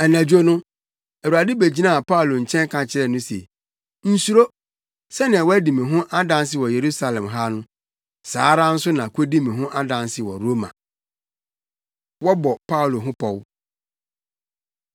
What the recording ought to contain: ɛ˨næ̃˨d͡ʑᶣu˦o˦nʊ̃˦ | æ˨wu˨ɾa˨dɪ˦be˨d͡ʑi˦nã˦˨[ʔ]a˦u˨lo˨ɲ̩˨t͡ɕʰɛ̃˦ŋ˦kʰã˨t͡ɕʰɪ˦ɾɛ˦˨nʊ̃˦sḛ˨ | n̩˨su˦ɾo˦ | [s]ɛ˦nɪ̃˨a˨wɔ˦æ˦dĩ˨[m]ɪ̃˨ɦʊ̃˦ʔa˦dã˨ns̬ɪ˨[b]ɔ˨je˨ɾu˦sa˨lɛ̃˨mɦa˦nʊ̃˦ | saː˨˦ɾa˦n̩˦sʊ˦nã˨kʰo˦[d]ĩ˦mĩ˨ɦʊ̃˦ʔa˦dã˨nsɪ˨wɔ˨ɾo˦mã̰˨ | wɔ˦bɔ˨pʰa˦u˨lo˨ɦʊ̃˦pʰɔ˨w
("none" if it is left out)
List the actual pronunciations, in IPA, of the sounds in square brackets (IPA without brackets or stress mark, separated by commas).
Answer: p, s, m, w, d